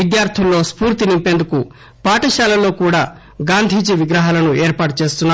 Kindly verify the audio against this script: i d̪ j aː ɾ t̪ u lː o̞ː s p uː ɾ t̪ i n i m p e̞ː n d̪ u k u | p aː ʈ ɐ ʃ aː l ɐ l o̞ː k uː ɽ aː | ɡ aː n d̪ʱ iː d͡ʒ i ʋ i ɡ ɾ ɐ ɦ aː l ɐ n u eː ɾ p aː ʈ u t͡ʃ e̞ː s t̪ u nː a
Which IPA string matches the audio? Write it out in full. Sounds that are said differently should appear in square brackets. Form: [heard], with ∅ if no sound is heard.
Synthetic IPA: i d̪ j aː ɾ [t̪ʰ] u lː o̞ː s p uː ɾ t̪ i n i m p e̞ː n d̪ u k u | p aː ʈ ɐ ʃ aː l ɐ l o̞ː k uː ɽ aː | ɡ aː n d̪ʱ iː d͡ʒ i ʋ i ɡ ɾ ɐ ɦ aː l ɐ n u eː ɾ p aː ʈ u t͡ʃ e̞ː s t̪ u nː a

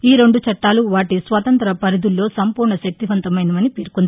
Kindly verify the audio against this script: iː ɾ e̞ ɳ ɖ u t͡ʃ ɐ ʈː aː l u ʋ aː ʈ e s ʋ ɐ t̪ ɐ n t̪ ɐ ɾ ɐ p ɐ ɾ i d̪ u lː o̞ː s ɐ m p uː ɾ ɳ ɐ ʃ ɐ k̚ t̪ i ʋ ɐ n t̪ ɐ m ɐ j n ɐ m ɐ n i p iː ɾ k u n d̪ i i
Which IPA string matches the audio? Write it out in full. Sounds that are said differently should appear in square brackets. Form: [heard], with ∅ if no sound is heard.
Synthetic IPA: iː ɾ e̞ ɳ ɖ u t͡ʃ ɐ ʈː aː l u ʋ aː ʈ [i] s ʋ ɐ t̪ ɐ n t̪ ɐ ɾ ɐ p ɐ ɾ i d̪ u lː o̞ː s ɐ m p uː ɾ ɳ ɐ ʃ ɐ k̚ t̪ i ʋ ɐ n t̪ ɐ m ɐ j n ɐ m ɐ n i p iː ɾ k u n d̪ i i

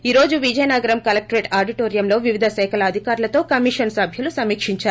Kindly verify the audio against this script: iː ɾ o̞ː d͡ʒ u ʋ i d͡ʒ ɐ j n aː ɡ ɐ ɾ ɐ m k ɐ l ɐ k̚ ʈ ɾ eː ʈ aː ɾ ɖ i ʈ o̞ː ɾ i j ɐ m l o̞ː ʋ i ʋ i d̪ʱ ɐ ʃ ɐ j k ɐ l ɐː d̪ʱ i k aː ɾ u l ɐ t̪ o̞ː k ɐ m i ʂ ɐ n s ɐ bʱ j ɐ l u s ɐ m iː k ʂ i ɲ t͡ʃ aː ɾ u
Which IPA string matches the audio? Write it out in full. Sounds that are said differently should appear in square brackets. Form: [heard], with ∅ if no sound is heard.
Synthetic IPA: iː ɾ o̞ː d͡ʒ u ʋ i d͡ʒ ɐ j n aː ɡ ɐ ɾ ɐ m k ɐ l ɐ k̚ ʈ ɾ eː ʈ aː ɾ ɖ i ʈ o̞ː ɾ i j ɐ m l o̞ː ʋ i ʋ i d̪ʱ ɐ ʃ ɐ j k ɐ l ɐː d̪ʱ i k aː ɾ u l ɐ t̪ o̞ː k ɐ m i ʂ ɐ n s ɐ bʱ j ɐ l u s ɐ m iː k ʂ i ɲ t͡ʃ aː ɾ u

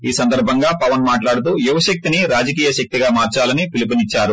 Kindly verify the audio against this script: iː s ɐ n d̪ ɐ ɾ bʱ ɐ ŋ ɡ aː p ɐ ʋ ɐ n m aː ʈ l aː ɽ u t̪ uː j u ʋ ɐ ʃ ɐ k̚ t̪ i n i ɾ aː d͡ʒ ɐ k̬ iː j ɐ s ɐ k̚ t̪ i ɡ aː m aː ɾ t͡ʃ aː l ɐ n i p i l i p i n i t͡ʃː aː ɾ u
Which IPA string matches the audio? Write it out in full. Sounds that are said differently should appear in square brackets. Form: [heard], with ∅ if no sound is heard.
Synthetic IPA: iː s ɐ n d̪ ɐ ɾ bʱ ɐ ŋ ɡ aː p ɐ ʋ ɐ n m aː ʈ l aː ɽ u t̪ uː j u ʋ ɐ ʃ ɐ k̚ t̪ i n i ɾ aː d͡ʒ ɐ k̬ iː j ɐ [ʃ] ɐ k̚ t̪ i ɡ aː m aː ɾ t͡ʃ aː l ɐ n i p i l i p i n i t͡ʃː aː ɾ u

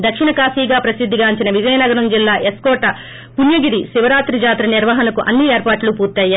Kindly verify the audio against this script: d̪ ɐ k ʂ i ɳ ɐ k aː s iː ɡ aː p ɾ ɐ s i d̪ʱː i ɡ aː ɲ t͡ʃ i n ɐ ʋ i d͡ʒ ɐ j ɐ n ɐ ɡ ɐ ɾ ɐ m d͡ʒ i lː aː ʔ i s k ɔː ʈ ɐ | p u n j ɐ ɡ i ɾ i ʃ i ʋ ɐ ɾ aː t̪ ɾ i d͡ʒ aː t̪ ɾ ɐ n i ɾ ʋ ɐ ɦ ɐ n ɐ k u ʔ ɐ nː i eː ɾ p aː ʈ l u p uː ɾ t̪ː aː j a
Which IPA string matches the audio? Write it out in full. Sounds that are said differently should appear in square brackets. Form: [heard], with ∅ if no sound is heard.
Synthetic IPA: d̪ ɐ k ʂ i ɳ ɐ k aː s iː ɡ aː p ɾ ɐ s i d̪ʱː i ɡ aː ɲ t͡ʃ i n ɐ ʋ i d͡ʒ ɐ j ɐ n ɐ ɡ ɐ ɾ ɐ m d͡ʒ i lː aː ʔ [e] s k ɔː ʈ ɐ | p u n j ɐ ɡ i ɾ i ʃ i ʋ ɐ ɾ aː t̪ ɾ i d͡ʒ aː t̪ ɾ ɐ n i ɾ ʋ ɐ ɦ ɐ n ɐ k u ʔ ɐ nː i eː ɾ p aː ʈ l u p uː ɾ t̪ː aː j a

